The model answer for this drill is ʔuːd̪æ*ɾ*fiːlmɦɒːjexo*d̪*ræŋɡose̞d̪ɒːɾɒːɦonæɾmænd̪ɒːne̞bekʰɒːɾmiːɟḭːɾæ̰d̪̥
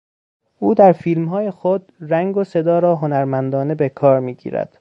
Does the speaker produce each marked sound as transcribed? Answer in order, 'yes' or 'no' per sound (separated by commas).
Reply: yes, yes